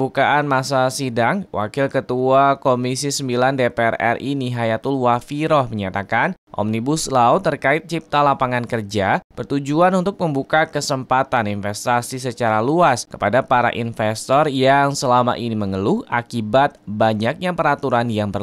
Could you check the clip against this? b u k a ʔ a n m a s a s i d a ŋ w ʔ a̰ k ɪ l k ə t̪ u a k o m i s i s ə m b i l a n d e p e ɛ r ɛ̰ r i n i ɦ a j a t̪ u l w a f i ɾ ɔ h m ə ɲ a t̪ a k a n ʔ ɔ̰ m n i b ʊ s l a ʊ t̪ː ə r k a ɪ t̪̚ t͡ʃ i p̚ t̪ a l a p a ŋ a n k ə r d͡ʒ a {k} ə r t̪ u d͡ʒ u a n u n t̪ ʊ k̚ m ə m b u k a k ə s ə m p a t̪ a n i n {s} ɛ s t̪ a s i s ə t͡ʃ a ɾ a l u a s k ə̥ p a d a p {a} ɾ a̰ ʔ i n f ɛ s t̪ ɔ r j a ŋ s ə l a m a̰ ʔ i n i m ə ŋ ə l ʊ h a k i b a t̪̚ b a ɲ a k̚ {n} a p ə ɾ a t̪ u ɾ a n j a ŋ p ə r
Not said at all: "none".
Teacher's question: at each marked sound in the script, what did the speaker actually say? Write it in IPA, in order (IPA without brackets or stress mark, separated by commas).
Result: p, f, a, ɲ